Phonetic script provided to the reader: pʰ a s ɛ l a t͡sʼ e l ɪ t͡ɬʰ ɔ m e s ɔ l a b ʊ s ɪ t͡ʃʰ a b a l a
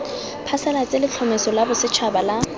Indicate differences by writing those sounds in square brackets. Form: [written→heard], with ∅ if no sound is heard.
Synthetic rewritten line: pʰ a s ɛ l a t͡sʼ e l ɪ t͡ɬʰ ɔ m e s ɔ l a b ʊ s ɪ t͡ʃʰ a b a l a